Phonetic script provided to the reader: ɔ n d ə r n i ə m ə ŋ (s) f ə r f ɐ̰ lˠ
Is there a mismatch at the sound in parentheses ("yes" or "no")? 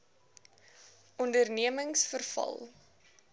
no